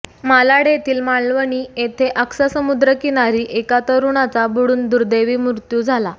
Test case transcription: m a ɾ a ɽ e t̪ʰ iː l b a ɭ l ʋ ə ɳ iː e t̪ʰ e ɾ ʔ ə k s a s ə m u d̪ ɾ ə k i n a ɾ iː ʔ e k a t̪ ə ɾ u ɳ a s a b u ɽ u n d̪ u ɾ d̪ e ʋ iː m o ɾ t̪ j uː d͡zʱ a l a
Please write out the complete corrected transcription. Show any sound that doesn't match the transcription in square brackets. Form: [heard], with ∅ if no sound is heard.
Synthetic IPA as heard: m a [l] a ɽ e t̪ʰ iː l [m] a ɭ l ʋ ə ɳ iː e t̪ʰ e [∅] ʔ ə k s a s ə m u d̪ ɾ ə k i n a ɾ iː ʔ e k a t̪ ə ɾ u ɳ a [t͡s] a b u ɽ [uː] n d̪ u ɾ d̪ e ʋ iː m [u] ɾ t̪ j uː d͡zʱ a l a